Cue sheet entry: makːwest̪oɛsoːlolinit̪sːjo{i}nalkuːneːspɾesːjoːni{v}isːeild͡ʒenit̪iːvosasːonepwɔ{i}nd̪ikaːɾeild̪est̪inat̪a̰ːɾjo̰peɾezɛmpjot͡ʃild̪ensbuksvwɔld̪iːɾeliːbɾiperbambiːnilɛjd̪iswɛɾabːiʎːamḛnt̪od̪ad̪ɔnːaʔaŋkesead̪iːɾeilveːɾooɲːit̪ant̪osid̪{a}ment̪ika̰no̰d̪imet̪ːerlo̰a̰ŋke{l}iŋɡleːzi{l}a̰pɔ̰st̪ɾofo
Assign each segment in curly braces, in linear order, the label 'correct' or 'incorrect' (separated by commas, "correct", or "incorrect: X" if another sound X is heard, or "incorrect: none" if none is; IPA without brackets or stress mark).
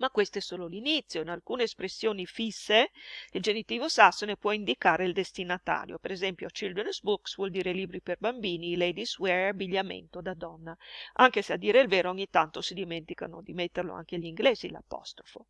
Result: correct, incorrect: f, correct, incorrect: i, incorrect: ʎ, correct